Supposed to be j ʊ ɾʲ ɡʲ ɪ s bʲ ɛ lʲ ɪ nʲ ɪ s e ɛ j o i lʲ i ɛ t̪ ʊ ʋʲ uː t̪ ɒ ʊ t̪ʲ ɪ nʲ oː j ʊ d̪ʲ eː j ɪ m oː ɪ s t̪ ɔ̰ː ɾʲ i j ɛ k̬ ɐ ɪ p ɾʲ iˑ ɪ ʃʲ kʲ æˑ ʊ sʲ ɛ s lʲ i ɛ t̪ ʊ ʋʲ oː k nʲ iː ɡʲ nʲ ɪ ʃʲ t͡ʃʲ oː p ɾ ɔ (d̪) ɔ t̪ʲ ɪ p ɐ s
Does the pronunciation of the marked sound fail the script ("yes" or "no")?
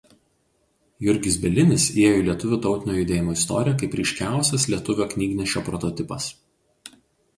yes